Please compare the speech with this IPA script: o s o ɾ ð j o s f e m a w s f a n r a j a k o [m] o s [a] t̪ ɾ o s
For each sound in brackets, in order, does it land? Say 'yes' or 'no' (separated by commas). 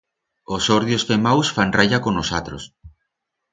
no, yes